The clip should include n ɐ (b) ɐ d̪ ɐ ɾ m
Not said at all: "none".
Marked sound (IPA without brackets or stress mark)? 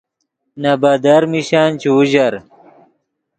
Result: b